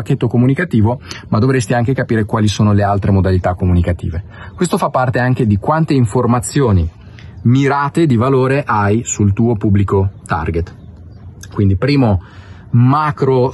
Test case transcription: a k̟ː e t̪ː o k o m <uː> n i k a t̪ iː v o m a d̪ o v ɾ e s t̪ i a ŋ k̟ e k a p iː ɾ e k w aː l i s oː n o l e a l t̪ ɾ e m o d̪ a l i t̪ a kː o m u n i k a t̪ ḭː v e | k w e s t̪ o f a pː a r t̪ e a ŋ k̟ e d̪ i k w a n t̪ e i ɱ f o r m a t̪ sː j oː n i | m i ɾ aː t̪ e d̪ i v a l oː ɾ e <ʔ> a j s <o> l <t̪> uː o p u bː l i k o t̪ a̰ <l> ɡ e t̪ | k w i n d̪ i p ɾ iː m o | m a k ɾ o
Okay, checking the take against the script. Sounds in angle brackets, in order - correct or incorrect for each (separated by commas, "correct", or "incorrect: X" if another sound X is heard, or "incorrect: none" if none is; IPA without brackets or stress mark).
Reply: incorrect: u, correct, incorrect: u, correct, incorrect: r